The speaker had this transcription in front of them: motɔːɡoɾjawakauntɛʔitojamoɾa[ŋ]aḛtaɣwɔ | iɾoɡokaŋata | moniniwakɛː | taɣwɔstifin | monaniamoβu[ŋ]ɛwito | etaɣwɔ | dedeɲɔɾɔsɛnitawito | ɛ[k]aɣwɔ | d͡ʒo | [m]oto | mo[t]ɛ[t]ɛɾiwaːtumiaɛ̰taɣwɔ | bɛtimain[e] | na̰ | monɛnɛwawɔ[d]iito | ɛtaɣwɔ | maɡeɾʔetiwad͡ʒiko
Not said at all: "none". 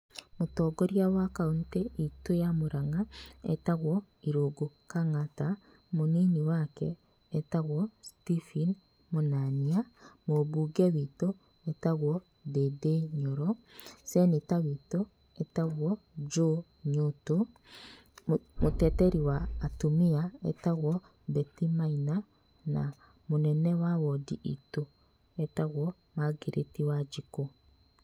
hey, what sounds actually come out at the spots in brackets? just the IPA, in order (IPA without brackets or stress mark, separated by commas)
ŋ, ɡ, t, ɲ, t, t, a, d